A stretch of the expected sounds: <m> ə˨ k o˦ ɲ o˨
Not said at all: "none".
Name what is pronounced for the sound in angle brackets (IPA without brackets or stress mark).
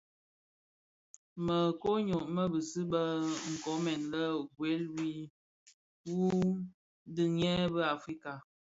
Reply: m